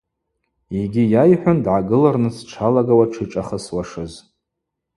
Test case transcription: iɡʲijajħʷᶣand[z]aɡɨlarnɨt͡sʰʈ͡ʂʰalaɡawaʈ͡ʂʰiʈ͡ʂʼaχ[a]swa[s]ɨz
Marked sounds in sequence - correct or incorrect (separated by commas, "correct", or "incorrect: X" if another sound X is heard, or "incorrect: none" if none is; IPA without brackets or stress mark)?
incorrect: ʕ, incorrect: ə, incorrect: ʂ